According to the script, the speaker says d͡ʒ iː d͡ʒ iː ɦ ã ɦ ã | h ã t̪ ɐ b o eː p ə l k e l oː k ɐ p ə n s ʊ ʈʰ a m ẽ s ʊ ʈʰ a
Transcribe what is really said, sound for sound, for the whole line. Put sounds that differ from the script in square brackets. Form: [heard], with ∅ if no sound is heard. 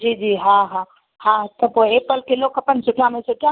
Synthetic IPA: d͡ʒ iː d͡ʒ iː ɦ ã ɦ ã | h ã t̪ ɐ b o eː p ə l k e l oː k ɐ p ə n s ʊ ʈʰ a m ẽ s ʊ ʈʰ a